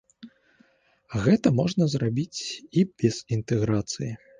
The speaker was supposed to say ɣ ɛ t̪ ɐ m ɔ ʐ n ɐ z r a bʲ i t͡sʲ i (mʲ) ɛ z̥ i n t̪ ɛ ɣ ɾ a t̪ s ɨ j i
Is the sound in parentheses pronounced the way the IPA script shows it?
no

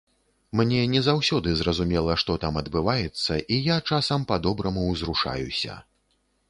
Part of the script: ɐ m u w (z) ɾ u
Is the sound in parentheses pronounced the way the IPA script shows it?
yes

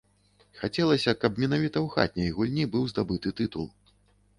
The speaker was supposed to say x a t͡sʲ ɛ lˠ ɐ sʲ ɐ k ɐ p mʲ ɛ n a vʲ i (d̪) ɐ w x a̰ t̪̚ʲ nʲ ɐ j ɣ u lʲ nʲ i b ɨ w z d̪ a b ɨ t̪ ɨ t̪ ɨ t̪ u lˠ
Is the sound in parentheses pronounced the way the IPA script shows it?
no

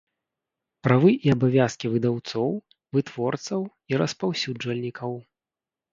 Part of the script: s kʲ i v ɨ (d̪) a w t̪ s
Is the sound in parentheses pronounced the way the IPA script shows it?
yes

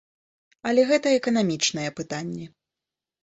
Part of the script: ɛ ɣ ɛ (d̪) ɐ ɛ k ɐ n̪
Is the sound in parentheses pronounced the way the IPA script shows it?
no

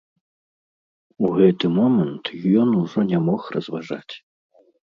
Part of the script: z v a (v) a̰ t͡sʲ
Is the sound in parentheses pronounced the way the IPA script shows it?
no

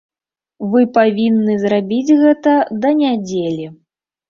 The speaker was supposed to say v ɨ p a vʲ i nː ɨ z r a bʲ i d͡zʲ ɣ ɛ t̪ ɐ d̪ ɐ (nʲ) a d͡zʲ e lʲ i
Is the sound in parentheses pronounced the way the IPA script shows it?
yes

